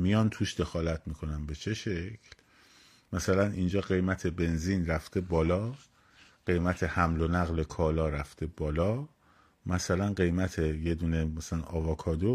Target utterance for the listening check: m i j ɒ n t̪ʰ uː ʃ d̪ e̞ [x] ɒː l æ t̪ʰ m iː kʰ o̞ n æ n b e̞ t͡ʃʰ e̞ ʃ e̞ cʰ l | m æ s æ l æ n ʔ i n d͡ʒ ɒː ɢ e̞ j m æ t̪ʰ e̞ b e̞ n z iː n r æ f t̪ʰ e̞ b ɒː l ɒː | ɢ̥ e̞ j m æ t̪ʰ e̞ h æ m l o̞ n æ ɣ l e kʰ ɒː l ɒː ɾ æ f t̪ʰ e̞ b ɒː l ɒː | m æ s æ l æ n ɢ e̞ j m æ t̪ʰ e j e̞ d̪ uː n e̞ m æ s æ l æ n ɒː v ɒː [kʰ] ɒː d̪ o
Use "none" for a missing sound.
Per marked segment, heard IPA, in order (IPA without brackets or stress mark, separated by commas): x, kʰ